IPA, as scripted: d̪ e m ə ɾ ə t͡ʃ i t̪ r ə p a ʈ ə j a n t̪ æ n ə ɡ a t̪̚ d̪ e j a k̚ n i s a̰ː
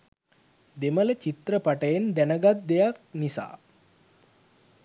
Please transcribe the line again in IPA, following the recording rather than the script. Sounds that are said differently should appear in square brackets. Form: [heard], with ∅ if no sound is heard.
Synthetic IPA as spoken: d̪ e m ə [l] ə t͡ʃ i t̪ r ə p a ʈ ə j [e] n [d̪] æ n ə ɡ a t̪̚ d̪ e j a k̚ n i s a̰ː

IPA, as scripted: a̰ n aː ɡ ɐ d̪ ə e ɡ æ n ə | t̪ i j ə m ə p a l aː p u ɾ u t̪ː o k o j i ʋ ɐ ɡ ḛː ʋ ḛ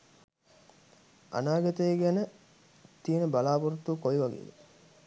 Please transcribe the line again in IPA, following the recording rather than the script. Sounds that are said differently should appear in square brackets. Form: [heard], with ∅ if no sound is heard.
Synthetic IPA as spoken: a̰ n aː ɡ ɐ [t̪] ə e ɡ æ n ə | t̪ i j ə [n] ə [b] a l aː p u ɾ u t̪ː [u] k o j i ʋ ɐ ɡ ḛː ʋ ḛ

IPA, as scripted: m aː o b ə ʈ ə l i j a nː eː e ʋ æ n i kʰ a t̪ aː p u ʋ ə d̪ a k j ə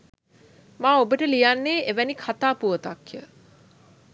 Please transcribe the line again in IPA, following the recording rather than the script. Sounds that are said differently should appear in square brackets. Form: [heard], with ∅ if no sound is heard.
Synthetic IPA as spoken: m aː o b ə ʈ ə l i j a nː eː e ʋ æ n i kʰ a t̪ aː p u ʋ ə [t̪] a k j ə

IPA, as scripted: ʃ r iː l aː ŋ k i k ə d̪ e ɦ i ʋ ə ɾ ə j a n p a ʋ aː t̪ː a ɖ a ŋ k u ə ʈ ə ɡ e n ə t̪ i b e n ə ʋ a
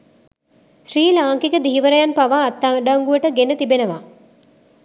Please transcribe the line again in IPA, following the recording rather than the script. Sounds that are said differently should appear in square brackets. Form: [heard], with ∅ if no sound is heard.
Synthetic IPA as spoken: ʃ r iː l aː ŋ k i k ə d̪ [i] ɦ i ʋ ə ɾ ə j a n p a ʋ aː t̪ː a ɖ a ŋ [ɡ] u ə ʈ ə ɡ e n ə t̪ i b e n ə ʋ a

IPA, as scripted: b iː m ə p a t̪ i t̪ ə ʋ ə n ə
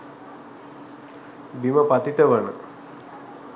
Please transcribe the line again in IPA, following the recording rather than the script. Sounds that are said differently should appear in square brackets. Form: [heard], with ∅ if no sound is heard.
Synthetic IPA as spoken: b [i] m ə p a t̪ i t̪ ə ʋ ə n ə

